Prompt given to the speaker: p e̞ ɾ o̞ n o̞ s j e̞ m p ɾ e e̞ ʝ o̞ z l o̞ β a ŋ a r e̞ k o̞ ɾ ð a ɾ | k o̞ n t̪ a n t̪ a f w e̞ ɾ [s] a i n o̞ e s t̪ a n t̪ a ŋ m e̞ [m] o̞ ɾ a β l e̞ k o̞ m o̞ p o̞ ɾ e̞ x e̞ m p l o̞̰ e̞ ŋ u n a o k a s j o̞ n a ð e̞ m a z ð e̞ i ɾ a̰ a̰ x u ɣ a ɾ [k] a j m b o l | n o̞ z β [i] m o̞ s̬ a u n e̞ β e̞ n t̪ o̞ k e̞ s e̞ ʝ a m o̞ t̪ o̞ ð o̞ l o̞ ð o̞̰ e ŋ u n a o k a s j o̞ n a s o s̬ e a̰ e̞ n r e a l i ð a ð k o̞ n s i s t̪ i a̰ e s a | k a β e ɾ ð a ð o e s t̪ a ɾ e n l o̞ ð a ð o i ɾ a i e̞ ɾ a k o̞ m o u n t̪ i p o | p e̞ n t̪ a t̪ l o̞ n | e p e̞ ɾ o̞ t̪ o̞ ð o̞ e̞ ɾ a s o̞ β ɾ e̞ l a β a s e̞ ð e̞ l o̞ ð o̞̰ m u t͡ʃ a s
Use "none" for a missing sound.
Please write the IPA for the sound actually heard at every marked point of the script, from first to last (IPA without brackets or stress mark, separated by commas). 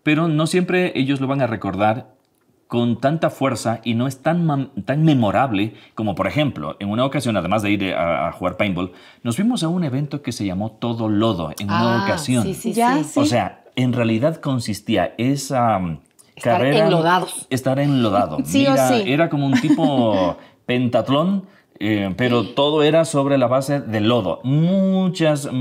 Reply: s, m, p, i